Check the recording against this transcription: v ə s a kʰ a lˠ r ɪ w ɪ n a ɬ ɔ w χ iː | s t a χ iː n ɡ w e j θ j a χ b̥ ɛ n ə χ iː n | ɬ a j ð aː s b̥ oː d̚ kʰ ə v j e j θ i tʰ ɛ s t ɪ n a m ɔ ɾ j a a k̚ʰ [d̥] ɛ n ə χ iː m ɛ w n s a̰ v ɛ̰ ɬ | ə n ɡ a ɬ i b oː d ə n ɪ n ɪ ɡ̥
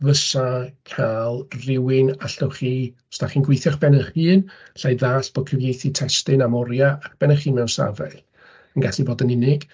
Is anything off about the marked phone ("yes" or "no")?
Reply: yes